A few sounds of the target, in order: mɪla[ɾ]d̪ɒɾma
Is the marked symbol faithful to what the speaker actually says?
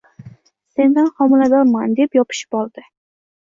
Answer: no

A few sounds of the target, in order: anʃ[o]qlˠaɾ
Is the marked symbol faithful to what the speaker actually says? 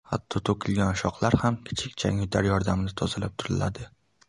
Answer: no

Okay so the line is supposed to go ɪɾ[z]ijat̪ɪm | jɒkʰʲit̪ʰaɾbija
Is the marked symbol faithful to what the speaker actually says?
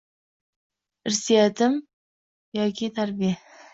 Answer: no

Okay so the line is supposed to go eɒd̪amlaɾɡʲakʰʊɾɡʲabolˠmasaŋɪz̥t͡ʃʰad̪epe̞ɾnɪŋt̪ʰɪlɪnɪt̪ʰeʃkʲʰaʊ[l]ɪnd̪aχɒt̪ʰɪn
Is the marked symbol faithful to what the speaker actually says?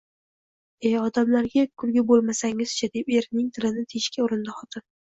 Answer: no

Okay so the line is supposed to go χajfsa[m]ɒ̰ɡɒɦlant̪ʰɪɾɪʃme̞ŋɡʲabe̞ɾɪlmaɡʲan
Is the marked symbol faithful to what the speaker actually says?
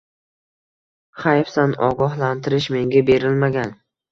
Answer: no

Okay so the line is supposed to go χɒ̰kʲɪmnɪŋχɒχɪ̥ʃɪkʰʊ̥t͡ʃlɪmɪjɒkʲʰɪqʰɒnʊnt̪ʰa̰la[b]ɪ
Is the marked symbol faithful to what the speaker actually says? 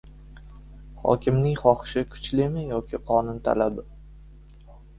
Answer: yes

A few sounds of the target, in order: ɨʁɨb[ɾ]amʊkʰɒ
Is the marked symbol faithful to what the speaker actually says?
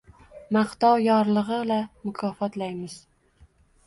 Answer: no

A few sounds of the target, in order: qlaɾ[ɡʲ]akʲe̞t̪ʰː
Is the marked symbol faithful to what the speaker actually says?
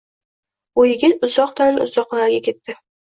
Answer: yes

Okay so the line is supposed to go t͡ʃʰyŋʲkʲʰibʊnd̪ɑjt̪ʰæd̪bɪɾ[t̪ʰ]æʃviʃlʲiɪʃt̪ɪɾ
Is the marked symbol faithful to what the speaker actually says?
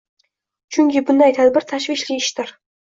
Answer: yes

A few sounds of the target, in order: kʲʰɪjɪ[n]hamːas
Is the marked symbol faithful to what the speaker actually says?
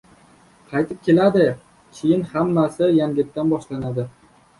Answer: yes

